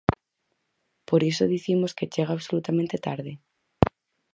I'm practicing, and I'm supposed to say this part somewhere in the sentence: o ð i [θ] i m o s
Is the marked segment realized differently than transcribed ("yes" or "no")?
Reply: no